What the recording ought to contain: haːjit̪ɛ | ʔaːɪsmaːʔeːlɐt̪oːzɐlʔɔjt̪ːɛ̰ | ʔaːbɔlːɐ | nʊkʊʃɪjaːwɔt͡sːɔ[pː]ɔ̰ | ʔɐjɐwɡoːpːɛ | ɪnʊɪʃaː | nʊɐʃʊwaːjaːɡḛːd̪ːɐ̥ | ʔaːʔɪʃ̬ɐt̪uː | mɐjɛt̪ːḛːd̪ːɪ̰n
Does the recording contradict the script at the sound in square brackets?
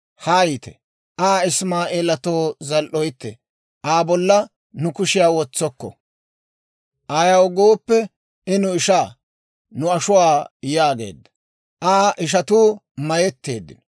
yes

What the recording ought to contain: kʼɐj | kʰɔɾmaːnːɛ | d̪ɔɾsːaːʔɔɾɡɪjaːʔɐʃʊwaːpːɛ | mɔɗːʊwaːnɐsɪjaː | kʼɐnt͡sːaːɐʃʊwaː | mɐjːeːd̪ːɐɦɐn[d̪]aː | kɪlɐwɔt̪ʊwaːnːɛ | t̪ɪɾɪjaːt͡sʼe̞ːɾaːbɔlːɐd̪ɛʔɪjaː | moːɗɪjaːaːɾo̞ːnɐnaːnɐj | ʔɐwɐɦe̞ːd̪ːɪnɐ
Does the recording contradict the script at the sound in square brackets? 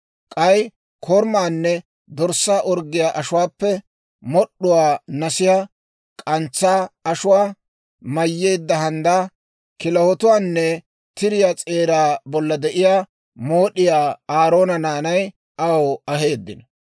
no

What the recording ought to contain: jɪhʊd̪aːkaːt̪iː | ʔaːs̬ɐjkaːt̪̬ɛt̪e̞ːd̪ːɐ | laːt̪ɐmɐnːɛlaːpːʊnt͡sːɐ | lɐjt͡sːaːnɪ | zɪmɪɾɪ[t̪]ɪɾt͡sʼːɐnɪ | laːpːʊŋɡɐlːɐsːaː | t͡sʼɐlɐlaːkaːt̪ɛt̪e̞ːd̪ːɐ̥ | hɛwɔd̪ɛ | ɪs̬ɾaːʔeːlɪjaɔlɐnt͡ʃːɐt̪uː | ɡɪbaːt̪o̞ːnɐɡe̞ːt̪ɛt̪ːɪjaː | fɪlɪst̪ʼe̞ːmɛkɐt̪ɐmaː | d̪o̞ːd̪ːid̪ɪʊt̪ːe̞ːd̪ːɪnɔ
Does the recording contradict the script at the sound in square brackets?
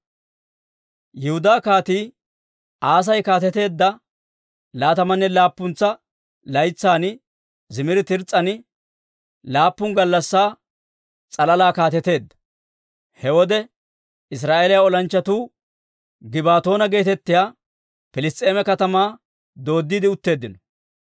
no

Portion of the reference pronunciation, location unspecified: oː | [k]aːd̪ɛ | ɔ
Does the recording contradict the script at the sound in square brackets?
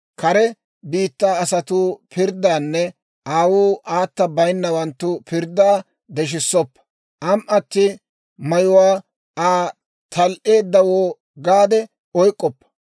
yes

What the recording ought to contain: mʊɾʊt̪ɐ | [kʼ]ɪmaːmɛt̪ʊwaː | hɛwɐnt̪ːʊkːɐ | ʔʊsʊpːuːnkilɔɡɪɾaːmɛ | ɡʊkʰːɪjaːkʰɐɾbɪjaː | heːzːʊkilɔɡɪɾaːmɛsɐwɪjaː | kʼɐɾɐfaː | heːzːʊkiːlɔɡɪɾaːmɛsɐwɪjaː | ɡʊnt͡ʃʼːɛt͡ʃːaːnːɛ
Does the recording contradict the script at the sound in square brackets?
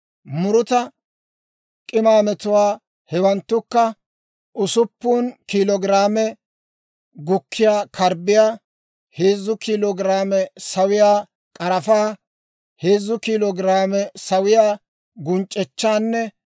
no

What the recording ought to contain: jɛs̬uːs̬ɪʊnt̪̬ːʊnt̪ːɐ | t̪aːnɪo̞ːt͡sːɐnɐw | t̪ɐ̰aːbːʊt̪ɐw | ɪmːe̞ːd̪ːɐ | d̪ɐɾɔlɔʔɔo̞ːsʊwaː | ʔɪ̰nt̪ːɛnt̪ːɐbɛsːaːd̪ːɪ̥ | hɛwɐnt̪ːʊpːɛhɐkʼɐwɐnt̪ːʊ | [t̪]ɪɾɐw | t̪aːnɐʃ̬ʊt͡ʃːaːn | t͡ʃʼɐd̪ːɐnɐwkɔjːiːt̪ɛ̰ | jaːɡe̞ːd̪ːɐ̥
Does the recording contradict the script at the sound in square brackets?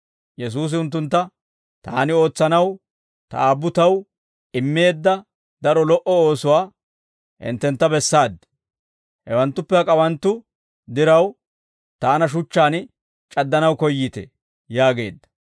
yes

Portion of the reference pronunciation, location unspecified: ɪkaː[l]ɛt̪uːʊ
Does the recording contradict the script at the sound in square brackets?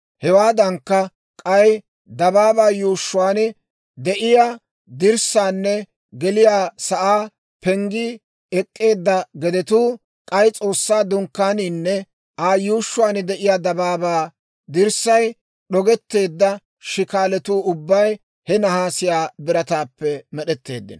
no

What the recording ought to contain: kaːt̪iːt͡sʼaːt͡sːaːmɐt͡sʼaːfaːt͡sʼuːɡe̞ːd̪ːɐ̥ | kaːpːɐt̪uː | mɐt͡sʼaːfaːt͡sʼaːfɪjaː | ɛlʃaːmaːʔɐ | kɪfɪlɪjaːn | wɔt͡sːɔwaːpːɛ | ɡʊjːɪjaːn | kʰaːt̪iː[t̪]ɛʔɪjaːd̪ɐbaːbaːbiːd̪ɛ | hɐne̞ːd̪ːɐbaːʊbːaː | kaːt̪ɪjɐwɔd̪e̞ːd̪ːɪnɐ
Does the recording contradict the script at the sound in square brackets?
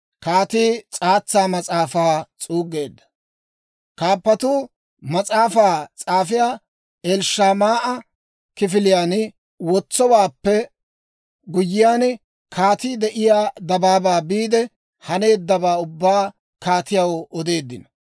yes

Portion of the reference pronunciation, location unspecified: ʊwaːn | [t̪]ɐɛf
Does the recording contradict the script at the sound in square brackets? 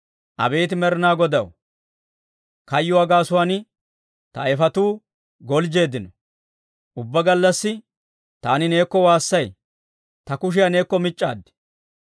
no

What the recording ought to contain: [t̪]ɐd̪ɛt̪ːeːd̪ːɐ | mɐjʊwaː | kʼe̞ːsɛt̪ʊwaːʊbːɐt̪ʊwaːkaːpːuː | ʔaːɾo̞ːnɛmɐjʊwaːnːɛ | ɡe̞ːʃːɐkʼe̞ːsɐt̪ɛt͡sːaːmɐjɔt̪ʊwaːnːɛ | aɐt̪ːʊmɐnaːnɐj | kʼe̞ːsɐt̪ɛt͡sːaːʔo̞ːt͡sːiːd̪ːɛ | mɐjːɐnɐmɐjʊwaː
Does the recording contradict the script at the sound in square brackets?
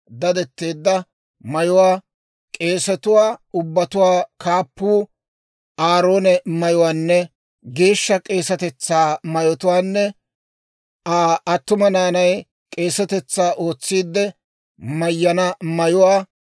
yes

